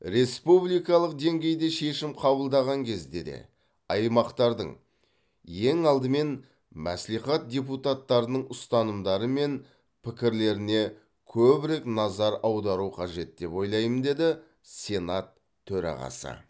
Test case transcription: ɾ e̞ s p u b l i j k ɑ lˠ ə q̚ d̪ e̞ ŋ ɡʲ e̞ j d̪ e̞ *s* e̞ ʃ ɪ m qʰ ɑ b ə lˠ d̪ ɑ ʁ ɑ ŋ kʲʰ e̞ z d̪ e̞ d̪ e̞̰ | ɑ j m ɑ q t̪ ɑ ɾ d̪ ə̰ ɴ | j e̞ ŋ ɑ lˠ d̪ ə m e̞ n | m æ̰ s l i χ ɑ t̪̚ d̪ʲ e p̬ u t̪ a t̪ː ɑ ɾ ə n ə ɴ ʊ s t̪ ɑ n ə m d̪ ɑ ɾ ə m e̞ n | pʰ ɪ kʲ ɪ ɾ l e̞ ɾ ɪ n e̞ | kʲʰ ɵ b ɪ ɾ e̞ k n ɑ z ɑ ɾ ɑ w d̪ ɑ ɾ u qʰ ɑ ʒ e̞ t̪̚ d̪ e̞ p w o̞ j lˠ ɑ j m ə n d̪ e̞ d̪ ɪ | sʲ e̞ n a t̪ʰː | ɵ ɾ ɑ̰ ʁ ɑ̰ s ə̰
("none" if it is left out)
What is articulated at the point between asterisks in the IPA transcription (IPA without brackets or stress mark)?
ʃ